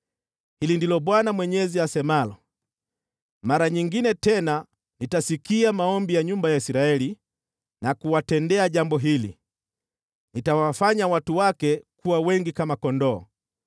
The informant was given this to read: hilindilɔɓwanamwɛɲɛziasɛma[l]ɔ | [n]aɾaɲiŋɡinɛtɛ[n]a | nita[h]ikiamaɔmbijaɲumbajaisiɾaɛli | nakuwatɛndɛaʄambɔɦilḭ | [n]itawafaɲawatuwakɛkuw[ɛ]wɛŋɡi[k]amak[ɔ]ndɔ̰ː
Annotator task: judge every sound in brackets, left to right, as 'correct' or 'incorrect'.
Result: correct, incorrect: m, correct, incorrect: s, correct, incorrect: a, correct, correct

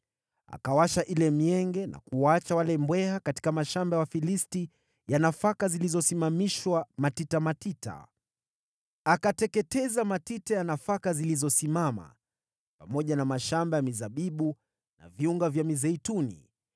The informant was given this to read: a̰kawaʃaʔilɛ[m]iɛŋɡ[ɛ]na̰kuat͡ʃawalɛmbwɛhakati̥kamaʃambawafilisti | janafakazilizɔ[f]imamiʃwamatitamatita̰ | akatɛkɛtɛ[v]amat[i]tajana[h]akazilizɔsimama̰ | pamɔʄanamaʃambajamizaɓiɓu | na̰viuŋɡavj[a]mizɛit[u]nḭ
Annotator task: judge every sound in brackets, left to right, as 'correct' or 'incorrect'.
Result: correct, correct, incorrect: s, incorrect: z, correct, incorrect: f, correct, correct

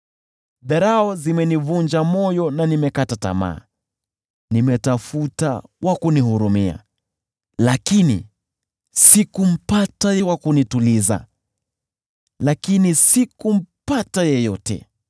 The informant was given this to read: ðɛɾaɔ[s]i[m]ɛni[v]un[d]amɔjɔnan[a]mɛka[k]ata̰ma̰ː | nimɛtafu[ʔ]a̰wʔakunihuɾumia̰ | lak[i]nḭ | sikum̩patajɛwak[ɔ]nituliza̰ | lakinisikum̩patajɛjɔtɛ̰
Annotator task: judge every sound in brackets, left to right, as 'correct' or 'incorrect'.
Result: incorrect: z, correct, correct, incorrect: d͡ʒ, incorrect: i, incorrect: t, incorrect: t, correct, incorrect: u

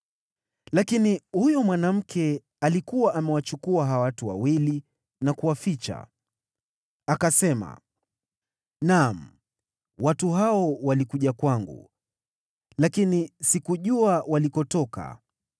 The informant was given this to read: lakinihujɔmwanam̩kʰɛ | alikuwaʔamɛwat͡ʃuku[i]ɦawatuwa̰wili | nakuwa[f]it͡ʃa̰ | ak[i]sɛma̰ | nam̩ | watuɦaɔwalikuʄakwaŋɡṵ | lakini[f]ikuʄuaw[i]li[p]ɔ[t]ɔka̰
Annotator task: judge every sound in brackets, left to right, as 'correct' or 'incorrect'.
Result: incorrect: a, correct, incorrect: a, incorrect: s, incorrect: a, incorrect: k, correct

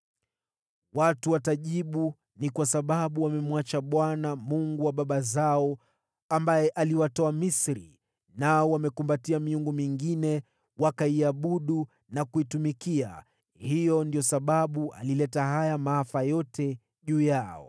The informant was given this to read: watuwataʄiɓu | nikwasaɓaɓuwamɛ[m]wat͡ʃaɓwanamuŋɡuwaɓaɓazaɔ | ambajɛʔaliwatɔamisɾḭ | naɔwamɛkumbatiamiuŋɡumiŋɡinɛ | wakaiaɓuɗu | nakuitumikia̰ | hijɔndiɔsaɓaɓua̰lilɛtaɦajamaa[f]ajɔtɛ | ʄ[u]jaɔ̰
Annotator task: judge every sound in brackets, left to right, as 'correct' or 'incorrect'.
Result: correct, correct, incorrect: uː

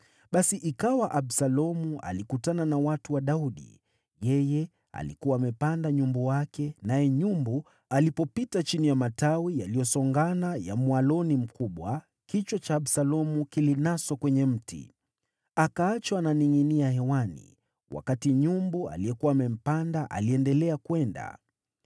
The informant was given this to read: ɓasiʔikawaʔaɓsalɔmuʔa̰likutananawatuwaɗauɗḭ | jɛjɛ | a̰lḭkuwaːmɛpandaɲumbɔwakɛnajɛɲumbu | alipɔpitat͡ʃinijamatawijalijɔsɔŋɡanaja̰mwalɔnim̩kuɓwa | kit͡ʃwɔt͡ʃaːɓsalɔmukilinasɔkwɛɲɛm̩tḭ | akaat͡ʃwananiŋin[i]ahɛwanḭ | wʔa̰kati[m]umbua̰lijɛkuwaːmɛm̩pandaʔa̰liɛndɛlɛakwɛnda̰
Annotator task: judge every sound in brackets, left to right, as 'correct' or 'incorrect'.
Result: correct, incorrect: ɲ

